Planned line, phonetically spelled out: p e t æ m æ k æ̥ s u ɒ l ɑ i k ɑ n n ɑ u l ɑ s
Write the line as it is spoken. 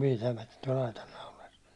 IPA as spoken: p i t æ m æ t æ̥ t u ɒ l ɑ i t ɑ n n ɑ u l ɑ s

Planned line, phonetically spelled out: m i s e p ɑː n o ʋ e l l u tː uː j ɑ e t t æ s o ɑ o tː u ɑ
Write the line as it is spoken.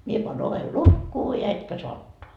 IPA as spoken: m i e p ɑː n o ʋ e l l u kː uː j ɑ e t k æ s o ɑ o tː o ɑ

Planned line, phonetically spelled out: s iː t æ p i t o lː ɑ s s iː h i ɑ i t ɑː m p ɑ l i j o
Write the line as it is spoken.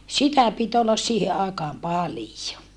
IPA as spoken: s i t æ p i t o lː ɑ s s iː h e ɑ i k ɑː m p ɑ l i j o

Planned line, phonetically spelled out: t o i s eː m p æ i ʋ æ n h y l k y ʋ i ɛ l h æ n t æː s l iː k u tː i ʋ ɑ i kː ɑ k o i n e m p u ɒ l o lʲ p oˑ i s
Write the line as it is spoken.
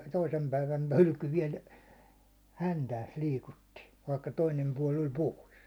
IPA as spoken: t o i s e m p æ i ʋ æ n h y l k y ʋ i ɛ l h æ n t æː s l iː k u tː i ʋ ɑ i kː ɑ t o i n e m p u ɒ l o lʲ p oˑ i s

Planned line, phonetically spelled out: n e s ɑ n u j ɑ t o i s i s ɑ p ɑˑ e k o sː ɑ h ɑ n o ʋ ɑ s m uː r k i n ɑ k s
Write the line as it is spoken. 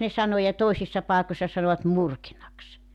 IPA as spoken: n e s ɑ n o j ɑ t o i s i sː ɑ p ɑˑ e k o sː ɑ s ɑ n o ʋ ɑ t m u r k i n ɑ k s

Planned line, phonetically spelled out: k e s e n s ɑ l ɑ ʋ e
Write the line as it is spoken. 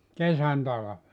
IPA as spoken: k e s æ n t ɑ l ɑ ʋ e

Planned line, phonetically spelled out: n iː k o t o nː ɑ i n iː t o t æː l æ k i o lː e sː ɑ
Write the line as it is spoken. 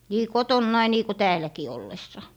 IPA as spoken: n iː k o t o nː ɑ i n iː k o t æː l æ k i o lː e sː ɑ

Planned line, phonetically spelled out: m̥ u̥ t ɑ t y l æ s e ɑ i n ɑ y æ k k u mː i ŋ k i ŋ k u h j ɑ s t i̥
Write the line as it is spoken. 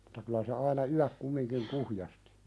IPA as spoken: m̥ u̥ t ɑ k y l æ s e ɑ i n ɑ y æ k k u mː i ŋ k i ŋ k u h j ɑ s t i̥

